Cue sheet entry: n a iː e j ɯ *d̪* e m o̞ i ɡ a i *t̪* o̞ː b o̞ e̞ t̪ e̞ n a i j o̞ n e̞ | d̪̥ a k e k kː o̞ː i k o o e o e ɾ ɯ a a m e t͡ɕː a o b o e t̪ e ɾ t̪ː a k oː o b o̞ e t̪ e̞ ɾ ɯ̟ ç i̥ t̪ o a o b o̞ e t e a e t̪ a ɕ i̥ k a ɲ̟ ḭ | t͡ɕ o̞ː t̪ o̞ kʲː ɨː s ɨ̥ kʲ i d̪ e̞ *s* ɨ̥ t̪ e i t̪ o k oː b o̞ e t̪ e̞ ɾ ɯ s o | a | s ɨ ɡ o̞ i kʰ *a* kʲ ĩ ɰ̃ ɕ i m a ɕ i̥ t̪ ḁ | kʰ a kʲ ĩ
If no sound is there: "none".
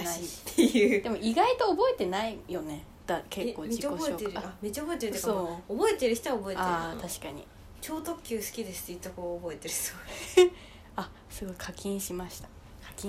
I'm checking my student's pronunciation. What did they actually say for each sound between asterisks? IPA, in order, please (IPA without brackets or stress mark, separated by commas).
d̪, t̪, s, a